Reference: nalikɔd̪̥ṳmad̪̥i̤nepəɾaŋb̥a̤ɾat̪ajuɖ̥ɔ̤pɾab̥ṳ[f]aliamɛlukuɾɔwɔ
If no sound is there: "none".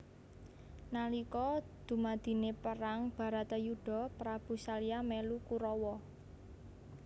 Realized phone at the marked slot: s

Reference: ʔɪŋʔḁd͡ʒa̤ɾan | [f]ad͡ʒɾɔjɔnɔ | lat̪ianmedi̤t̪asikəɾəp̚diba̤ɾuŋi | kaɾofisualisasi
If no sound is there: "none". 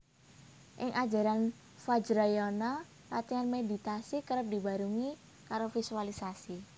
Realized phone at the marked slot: f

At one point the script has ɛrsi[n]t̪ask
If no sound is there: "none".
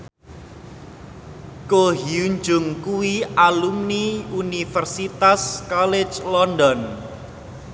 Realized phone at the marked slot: none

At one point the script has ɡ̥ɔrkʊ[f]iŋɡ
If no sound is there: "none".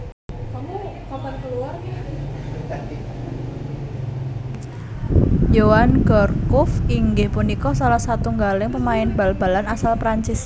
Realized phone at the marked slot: f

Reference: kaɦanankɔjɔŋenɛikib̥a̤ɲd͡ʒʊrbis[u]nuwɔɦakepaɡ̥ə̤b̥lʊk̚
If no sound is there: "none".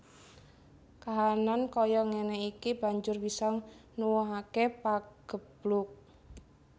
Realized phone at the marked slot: ɔ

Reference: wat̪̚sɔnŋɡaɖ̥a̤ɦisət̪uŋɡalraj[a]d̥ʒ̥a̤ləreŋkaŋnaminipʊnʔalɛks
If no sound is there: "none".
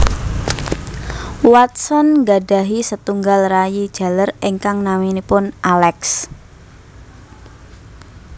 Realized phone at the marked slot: i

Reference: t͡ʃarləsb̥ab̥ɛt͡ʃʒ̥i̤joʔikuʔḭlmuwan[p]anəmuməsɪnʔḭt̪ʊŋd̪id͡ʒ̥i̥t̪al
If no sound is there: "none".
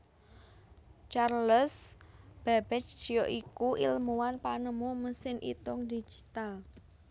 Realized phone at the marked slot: p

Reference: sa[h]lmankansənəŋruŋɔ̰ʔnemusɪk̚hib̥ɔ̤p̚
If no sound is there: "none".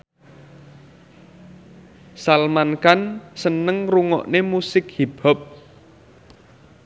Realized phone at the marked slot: none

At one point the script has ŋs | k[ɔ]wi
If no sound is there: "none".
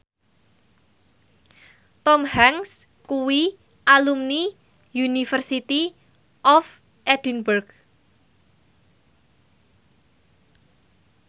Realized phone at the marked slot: u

